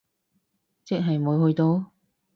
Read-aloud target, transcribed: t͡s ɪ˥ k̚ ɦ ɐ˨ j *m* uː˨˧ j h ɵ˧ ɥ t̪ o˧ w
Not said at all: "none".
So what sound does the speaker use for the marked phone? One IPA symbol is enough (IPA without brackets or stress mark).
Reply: m